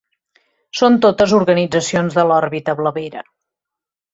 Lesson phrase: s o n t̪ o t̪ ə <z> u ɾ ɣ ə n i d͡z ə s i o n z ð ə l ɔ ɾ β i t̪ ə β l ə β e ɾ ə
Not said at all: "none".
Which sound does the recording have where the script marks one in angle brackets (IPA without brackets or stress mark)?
z